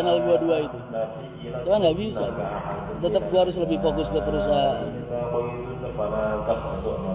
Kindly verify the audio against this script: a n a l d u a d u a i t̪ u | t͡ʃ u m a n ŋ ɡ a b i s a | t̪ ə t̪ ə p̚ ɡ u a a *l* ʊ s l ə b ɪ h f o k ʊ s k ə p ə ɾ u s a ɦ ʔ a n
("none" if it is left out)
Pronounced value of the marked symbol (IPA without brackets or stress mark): ɾ